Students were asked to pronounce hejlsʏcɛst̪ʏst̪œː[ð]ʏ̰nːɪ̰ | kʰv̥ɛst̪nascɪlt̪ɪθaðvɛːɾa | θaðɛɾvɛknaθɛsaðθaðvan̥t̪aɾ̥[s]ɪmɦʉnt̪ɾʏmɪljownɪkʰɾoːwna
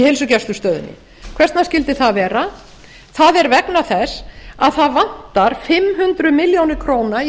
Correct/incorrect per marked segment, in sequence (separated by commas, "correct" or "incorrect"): correct, incorrect